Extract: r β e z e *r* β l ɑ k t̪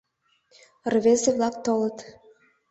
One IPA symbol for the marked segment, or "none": none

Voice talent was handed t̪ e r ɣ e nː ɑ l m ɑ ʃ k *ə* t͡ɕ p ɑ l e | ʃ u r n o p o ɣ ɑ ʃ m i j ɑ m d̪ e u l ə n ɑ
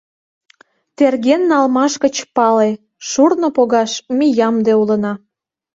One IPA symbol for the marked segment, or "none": ə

